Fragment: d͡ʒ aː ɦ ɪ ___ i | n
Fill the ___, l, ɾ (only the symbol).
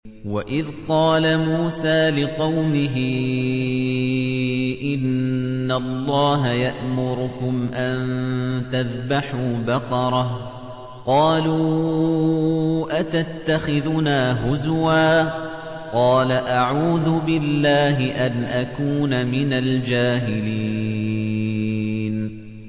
l